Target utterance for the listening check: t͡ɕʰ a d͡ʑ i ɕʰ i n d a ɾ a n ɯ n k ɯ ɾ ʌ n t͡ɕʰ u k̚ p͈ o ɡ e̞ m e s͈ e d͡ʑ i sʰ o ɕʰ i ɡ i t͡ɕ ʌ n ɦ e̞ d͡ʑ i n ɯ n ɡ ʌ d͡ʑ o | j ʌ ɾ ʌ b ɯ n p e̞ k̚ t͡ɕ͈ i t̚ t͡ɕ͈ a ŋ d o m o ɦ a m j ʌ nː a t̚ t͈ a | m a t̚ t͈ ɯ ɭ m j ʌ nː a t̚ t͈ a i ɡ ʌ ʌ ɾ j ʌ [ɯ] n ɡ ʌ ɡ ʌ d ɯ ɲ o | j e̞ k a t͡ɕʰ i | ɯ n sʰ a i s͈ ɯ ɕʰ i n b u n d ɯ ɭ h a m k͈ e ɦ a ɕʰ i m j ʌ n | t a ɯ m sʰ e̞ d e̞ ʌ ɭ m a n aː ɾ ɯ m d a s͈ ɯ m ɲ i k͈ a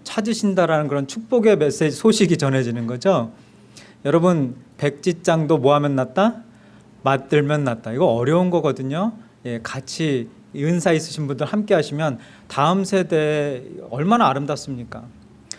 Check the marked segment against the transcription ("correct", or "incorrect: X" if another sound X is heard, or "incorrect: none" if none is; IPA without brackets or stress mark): incorrect: u